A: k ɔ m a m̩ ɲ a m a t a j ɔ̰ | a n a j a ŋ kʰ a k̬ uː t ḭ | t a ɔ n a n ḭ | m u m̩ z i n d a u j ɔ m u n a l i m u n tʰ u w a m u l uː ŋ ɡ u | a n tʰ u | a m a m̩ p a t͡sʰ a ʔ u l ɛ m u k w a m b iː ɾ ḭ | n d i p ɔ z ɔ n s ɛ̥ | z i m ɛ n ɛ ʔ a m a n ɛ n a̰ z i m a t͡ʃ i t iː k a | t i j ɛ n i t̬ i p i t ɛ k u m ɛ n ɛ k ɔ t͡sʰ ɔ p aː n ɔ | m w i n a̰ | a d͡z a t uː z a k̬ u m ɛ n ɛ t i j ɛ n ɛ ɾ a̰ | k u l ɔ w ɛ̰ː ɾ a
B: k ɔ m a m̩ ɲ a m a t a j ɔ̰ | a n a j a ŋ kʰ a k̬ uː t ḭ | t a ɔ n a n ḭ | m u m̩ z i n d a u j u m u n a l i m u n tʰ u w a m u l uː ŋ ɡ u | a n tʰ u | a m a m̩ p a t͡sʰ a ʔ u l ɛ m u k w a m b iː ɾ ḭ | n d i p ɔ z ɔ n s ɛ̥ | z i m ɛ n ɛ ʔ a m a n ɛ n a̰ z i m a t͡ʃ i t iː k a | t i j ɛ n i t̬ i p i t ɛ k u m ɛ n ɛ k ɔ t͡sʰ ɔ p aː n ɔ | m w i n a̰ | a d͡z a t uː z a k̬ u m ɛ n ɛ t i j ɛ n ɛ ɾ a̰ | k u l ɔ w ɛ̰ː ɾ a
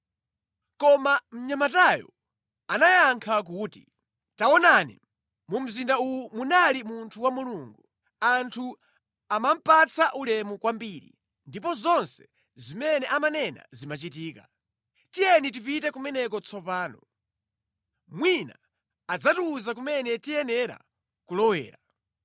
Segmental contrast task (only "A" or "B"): B